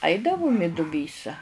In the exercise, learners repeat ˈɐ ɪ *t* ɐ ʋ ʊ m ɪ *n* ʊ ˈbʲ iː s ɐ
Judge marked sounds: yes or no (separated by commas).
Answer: no, no